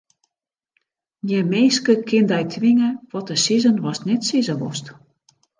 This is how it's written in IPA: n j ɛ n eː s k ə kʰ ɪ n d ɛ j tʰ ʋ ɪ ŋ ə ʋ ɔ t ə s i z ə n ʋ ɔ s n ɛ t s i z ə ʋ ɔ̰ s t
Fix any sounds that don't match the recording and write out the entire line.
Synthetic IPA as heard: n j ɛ m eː s k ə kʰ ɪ n d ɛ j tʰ ʋ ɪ ŋ ə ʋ ɔ t ə s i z ə n ʋ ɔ s n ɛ t s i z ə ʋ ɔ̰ s t